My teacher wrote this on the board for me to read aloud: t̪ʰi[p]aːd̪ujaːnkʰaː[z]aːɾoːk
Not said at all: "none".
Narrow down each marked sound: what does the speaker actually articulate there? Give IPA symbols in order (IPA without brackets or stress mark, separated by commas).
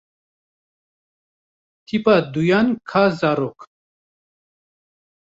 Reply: p, z